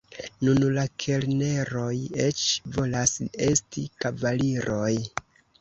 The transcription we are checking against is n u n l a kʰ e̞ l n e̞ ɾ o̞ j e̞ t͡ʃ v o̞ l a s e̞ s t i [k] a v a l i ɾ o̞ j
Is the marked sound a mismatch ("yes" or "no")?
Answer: no